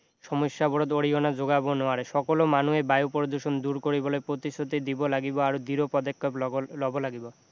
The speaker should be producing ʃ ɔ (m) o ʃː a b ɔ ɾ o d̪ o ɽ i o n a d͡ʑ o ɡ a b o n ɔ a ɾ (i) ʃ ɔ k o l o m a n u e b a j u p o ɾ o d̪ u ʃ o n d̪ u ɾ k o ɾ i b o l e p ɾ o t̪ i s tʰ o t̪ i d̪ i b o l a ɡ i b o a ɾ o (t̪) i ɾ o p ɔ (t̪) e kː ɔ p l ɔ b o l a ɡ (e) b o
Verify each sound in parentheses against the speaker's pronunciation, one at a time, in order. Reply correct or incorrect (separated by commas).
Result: correct, incorrect, incorrect, incorrect, incorrect